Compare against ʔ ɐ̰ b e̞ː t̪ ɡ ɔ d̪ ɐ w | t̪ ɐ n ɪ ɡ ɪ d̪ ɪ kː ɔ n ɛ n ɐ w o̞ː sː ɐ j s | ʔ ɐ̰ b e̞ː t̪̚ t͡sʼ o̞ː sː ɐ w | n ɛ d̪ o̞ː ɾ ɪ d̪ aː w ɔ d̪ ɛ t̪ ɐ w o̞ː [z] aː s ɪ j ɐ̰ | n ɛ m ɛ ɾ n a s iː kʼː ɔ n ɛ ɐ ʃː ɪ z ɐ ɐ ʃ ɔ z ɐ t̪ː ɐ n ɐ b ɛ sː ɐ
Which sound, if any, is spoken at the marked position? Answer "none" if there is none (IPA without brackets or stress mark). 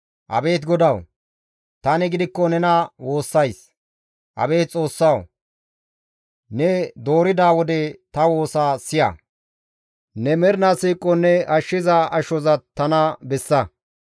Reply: s